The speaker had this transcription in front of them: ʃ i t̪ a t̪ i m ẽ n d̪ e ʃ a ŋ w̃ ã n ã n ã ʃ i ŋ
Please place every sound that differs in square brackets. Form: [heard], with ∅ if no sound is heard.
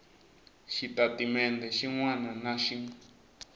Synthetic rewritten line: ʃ i t̪ a t̪ i m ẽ n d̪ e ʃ [i] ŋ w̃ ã n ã n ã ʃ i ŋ